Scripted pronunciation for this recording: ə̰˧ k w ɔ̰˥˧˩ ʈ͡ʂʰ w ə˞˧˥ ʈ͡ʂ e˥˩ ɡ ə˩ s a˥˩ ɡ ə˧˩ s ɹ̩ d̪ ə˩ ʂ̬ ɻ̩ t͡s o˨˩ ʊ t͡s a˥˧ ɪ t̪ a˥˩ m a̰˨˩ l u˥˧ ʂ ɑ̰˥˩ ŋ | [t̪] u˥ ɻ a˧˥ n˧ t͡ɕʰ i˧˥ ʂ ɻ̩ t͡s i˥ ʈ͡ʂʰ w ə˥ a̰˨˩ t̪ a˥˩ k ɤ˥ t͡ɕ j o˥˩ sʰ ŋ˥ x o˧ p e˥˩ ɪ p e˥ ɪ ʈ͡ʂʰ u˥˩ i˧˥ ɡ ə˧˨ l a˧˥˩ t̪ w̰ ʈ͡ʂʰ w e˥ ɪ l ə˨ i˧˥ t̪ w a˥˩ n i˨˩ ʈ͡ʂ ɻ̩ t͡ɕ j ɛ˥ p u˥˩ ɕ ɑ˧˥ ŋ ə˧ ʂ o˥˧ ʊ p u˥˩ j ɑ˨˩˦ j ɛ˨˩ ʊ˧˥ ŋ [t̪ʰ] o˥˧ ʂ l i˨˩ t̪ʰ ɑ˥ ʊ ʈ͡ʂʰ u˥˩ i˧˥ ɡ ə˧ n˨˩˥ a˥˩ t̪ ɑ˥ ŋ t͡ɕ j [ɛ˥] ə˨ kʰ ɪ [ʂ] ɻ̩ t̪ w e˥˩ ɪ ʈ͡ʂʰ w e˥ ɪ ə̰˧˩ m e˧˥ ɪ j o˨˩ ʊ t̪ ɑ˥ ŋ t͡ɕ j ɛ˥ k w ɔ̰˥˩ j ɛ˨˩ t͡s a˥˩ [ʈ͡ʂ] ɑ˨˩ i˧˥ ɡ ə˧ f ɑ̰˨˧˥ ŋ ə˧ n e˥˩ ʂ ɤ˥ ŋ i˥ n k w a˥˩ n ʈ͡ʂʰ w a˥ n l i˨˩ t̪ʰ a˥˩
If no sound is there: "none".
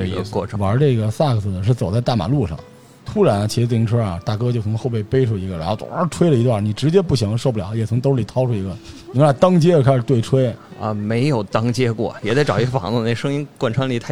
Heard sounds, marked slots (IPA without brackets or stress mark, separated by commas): t̪ʰ, t̪, ɛ˥, ʂ, ʈ͡ʂ